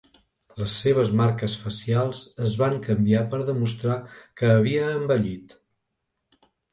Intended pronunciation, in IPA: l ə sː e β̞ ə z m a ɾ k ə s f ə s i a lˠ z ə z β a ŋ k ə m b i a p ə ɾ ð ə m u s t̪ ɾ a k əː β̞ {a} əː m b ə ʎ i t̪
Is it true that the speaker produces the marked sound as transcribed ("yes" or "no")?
no